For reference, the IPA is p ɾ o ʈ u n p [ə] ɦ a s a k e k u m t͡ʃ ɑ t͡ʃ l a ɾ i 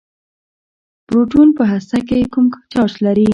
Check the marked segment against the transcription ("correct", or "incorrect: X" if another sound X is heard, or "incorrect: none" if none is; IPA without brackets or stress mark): correct